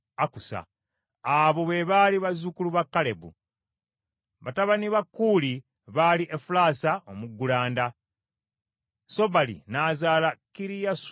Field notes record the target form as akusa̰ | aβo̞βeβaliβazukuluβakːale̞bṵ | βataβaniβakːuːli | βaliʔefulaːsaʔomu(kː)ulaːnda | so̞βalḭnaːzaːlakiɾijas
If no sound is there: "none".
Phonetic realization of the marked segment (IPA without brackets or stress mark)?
ɡː